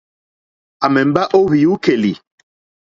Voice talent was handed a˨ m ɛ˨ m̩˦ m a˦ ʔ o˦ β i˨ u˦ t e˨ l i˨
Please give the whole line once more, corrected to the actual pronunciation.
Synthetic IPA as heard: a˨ m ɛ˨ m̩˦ b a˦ ʔ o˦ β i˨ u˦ k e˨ l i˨